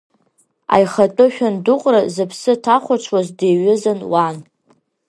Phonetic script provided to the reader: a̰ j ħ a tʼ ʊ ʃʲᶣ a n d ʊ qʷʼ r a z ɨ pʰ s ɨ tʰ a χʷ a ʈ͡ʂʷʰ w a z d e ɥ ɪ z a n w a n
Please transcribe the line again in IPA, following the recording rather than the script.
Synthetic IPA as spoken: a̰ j χ a tʼ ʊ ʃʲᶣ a n d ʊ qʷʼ r a z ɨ pʰ s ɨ tʰ a χʷ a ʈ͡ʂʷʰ w a z d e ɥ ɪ z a n w a n

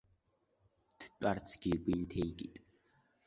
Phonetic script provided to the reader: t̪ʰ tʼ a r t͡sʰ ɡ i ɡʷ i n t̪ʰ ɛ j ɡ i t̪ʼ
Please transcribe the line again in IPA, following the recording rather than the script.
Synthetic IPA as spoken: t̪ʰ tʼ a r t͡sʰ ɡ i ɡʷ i n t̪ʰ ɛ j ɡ i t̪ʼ

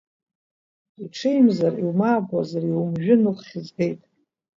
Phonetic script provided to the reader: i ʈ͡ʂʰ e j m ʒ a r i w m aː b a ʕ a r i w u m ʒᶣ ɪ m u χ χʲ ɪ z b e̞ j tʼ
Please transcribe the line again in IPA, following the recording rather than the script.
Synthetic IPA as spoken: i ʈ͡ʂʰ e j m z a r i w m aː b a z a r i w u m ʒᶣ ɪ n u χ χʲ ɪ z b e̞ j tʼ

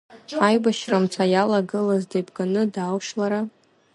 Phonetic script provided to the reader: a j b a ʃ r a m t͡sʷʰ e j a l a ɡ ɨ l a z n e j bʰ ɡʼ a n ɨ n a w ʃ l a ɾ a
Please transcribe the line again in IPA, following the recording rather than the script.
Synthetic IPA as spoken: a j b a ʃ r a m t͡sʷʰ a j a l a ɡ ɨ l a z d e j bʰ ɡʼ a n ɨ d a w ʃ l a ɾ a

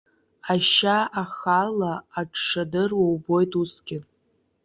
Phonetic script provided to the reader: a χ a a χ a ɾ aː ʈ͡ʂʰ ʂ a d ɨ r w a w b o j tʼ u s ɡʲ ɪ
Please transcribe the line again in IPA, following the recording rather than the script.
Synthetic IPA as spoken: a ʃ a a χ a l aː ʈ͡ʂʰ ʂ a d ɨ r w a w b o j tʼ u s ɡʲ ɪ

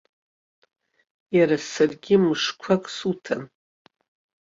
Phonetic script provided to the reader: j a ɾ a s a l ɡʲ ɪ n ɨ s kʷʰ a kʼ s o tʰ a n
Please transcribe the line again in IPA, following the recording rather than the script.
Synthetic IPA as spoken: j a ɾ a s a r ɡʲ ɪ m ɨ ʂ kʷʰ a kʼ s u tʰ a n

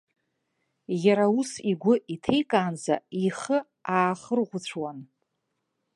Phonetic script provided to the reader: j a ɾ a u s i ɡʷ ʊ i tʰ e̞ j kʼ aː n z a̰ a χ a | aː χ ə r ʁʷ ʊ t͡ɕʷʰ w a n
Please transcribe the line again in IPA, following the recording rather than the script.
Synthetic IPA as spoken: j a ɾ a u s i ɡʷ ʊ i tʰ e̞ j kʼ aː n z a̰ i χ ə | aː χ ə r ʁʷ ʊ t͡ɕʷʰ w a n

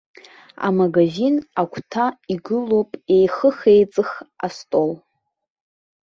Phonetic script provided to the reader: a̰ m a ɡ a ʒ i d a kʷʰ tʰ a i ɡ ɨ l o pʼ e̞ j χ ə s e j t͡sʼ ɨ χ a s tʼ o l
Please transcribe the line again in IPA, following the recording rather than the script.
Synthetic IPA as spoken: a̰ m a ɡ a ʒ i n a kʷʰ tʰ a i ɡ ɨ l o pʼ e̞ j χ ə χ e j t͡sʼ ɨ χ a s tʼ o l

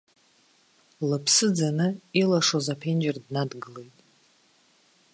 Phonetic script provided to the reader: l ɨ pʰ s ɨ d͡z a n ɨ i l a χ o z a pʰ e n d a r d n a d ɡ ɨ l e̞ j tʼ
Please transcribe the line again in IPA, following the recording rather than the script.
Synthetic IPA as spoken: l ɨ pʰ s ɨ d͡z a n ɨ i l a ʂ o z a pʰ e n d͡ʒ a r d n a d ɡ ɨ l e̞ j tʼ

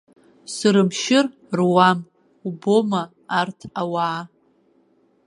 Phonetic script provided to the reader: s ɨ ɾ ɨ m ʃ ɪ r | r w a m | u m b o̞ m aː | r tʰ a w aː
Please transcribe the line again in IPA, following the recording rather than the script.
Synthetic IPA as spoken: s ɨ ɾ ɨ m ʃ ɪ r | r w a m | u b o̞ m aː | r tʰ a w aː

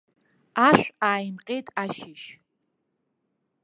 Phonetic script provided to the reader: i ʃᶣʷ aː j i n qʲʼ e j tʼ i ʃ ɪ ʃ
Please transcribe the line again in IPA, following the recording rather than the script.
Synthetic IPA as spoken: a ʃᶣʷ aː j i m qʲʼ e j tʼ a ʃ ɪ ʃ

